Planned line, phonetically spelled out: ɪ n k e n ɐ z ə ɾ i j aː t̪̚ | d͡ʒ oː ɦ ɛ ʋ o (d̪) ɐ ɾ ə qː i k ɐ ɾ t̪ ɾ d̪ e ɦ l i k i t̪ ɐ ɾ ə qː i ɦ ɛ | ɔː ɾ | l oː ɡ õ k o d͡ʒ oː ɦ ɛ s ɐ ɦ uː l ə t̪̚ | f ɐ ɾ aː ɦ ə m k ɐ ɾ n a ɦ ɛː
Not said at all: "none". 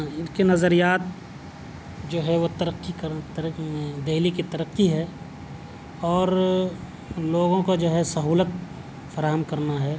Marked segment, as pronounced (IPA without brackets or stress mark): t̪